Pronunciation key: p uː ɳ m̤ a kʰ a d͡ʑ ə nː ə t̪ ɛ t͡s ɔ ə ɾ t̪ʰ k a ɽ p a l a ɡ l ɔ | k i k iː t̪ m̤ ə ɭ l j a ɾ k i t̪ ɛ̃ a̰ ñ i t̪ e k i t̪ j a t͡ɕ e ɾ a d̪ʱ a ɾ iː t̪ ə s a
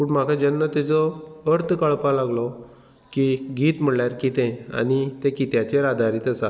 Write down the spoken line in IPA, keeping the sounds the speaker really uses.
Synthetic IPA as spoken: p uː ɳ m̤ a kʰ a d͡ʑ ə nː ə t̪ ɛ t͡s ɔ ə ɾ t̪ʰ k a ɭ p a l a ɡ l ɔ | k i ɡ iː t̪ m̤ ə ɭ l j a ɾ k i t̪ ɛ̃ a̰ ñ i t̪ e k i t̪ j a t͡ɕ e ɾ a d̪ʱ a ɾ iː t̪ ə s a